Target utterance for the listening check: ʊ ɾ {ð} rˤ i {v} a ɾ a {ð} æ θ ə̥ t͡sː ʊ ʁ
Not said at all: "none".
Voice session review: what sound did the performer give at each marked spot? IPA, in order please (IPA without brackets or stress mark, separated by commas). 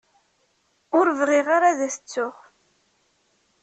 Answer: v, ʁ, ð